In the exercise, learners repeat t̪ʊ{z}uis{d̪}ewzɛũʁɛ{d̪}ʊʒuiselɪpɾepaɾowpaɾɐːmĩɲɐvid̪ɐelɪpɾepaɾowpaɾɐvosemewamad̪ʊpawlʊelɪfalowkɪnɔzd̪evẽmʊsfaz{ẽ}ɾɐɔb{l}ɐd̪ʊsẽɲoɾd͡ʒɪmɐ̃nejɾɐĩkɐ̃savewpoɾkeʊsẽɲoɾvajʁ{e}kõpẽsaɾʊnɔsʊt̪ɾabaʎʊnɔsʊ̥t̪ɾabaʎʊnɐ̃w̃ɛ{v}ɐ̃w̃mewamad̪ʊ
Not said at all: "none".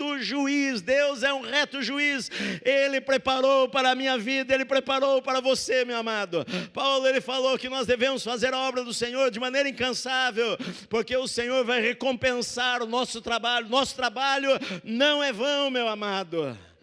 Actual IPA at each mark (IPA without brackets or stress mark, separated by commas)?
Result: ʒ, d̪, t̪, e, ɾ, e, v